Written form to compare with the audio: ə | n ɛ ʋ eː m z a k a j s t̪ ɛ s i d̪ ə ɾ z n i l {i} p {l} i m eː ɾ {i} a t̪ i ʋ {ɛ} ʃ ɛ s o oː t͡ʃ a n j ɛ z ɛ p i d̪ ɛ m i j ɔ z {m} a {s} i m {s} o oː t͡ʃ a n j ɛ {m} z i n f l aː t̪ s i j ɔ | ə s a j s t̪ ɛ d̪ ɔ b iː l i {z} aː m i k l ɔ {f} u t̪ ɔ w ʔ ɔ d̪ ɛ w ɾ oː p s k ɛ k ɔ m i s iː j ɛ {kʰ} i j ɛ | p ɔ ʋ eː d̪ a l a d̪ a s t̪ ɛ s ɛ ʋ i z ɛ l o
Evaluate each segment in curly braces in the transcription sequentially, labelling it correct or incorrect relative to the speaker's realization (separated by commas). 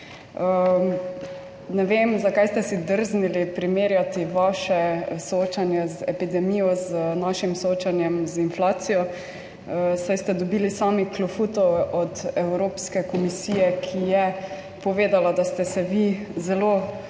correct, incorrect, incorrect, incorrect, incorrect, incorrect, correct, correct, incorrect, correct, correct